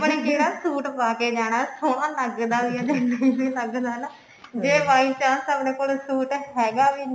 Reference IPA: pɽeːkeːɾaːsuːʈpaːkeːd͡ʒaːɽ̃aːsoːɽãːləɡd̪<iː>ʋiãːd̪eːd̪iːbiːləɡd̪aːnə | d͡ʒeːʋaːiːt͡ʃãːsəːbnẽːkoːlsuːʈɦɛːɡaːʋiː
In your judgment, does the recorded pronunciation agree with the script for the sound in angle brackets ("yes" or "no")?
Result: no